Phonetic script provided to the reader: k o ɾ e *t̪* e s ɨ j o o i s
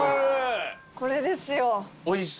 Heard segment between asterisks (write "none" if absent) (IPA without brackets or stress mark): d̪